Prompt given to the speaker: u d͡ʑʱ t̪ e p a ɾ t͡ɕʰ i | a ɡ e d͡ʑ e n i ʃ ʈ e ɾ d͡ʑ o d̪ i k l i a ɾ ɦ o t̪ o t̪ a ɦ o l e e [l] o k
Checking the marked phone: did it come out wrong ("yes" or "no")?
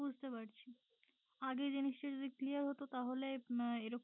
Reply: yes